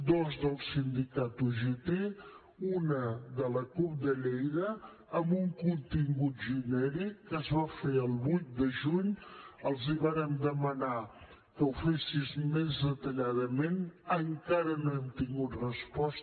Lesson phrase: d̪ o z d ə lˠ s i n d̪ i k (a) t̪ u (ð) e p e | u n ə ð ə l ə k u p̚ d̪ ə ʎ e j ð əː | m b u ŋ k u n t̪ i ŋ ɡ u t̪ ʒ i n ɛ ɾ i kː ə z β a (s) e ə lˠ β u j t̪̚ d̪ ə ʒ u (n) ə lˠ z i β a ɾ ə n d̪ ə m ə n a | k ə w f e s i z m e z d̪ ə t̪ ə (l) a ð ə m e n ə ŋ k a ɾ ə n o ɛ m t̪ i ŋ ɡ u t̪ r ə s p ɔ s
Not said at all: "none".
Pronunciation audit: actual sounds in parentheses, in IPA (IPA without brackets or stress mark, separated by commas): a, ʒ, f, ɲ, ʎ